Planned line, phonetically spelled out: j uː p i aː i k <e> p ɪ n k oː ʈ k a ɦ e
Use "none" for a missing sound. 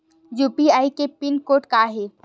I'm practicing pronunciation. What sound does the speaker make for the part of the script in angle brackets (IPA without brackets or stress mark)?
e